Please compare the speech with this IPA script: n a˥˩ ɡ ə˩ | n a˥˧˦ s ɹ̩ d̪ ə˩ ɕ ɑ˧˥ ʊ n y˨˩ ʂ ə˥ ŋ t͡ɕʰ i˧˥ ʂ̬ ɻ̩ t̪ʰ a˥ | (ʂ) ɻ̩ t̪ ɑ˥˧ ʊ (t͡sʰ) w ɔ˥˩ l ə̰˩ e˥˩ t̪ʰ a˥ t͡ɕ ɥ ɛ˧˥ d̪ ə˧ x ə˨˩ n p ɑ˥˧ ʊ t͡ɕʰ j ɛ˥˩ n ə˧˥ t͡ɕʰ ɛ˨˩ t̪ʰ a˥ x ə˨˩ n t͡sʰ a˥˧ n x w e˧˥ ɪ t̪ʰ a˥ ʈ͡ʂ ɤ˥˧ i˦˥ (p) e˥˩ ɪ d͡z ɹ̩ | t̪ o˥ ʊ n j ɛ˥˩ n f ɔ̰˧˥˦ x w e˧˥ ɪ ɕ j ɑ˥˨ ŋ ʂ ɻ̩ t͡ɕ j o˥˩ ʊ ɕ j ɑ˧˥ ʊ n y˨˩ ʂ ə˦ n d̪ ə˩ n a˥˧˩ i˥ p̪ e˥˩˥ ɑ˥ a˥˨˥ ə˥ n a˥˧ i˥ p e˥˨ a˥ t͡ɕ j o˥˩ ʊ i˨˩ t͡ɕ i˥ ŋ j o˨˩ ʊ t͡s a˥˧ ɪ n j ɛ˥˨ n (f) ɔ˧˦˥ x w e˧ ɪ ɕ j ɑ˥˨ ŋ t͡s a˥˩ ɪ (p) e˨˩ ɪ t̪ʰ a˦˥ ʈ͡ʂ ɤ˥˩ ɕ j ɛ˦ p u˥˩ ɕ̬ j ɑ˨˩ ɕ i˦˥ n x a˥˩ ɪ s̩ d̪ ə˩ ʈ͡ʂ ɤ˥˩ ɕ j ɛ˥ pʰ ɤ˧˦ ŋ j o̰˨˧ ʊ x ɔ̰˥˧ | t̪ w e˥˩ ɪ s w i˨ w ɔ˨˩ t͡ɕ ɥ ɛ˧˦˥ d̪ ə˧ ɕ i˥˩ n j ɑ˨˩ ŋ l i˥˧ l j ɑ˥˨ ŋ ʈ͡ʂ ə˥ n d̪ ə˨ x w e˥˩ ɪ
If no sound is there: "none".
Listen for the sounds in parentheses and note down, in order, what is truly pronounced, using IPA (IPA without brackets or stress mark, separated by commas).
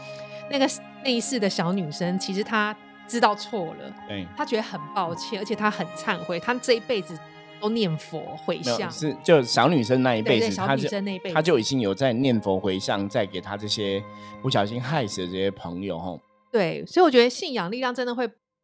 ʈ͡ʂ, t͡sʰ, p, f, k